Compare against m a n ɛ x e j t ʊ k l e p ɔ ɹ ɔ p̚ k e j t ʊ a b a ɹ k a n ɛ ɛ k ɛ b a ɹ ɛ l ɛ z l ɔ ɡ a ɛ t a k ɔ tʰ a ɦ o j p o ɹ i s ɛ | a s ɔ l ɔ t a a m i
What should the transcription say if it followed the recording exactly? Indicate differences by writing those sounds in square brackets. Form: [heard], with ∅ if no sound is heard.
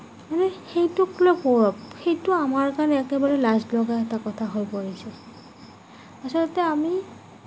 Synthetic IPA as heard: m a n ɛ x e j t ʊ k l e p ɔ ɹ ɔ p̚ [x] e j t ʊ a [m] a ɹ k a n ɛ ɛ k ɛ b a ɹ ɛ l [a] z l ɔ ɡ a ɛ t a k ɔ tʰ a ɦ o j p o ɹ i s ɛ | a s ɔ l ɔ t [ɛ] a m i